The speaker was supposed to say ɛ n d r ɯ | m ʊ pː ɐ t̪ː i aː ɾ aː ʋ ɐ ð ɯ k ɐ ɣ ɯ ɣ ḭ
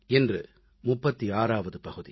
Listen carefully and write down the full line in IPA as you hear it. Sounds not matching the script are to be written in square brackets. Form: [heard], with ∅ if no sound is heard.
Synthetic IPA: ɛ n d r ɯ | m ʊ pː ɐ t̪ː i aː ɾ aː ʋ ɐ ð ɯ [p] ɐ ɣ ɯ [ð] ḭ